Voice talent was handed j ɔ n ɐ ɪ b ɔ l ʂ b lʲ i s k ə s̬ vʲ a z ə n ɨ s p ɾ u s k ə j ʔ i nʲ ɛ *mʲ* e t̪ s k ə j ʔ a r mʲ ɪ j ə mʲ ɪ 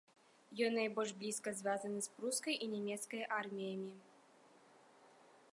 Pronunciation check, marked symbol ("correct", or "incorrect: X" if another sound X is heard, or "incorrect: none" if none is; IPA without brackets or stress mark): correct